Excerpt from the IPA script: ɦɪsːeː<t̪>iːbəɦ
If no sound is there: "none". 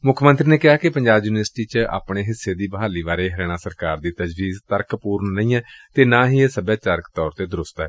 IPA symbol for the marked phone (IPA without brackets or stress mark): d̪